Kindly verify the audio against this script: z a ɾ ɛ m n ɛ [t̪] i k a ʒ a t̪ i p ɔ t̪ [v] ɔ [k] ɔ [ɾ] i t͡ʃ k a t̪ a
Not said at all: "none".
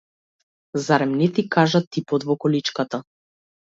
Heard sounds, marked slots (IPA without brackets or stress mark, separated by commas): t̪, v, k, l